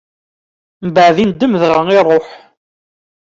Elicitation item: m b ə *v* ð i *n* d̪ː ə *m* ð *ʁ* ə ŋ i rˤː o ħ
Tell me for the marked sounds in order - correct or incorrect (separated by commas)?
incorrect, correct, correct, correct